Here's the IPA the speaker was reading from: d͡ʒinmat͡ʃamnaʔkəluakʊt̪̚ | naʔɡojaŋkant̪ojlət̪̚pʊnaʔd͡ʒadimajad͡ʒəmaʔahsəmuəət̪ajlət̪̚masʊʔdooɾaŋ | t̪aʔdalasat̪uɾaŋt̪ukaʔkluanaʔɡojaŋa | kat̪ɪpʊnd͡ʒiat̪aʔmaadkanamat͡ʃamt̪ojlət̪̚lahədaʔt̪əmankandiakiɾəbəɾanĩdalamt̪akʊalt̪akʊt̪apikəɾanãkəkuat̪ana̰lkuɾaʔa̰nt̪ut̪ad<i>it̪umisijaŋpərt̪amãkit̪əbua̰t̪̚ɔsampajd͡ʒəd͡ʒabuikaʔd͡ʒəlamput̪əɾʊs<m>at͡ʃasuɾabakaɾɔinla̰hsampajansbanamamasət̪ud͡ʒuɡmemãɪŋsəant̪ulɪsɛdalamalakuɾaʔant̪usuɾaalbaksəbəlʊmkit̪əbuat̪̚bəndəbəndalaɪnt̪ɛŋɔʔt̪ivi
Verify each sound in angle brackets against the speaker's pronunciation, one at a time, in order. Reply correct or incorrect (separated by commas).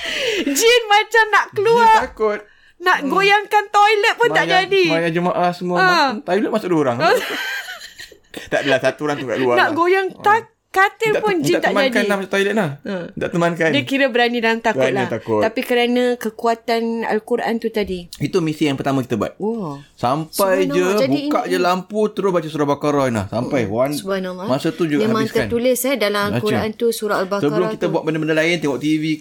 correct, incorrect